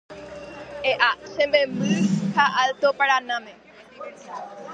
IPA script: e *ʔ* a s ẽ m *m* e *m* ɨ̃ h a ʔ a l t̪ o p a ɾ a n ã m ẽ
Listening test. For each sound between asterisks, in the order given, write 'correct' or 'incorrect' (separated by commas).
correct, incorrect, correct